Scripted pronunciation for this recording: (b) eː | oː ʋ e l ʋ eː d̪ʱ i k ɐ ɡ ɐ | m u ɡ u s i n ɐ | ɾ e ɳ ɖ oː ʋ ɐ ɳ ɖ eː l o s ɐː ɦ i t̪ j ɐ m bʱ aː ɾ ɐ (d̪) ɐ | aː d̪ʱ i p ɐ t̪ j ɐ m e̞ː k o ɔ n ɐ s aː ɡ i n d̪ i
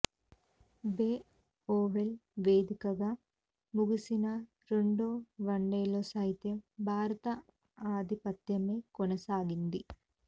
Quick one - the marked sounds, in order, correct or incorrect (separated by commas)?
correct, incorrect